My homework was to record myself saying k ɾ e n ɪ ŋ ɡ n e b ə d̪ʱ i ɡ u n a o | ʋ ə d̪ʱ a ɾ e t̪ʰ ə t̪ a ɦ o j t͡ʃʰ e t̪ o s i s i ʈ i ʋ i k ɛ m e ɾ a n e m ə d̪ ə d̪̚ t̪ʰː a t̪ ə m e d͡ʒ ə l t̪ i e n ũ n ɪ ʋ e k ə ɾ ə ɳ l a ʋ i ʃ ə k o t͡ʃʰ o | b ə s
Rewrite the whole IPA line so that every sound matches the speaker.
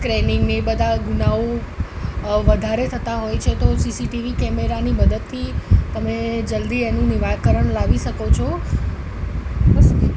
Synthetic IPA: k ɾ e n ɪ ŋ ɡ n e b ə d̪ʱ a ɡ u n a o | ʋ ə d̪ʱ a ɾ e t̪ʰ ə t̪ a ɦ o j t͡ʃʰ e t̪ o s i s i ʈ i ʋ i k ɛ m e ɾ a n i m ə d̪ ə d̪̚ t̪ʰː i t̪ ə m e d͡ʒ ə l d̪ i e n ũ n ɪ ʋ a k ə ɾ ə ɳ l a ʋ i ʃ ə k o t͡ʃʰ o | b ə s